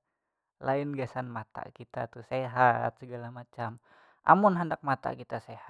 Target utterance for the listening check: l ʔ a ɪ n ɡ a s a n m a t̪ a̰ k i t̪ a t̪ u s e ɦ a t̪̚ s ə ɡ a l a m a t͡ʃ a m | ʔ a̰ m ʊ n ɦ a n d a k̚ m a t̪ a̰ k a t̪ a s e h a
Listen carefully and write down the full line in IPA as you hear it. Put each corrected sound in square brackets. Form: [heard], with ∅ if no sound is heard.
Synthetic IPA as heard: l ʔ a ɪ n ɡ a s a n m a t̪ a̰ k i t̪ a t̪ u s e ɦ a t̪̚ s ə ɡ a l a m a t͡ʃ a m | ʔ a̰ m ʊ n ɦ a n d a k̚ m a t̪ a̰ k [i] t̪ a s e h a